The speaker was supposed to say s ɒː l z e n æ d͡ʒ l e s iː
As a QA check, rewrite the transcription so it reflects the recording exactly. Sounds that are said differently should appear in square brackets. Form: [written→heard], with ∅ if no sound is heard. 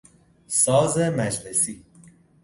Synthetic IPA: s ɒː [l→∅] z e [n→m] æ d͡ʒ l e s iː